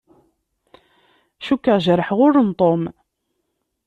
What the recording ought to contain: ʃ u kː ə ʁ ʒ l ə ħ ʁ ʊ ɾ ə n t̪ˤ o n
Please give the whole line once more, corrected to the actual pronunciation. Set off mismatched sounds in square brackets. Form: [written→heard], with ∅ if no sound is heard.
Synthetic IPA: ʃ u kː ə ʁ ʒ [l→ɾ] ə ħ ʁ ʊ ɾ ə n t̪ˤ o [n→m]